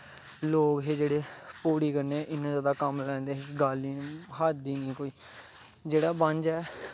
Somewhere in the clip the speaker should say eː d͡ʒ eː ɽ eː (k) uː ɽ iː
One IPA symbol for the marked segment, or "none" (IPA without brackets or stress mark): p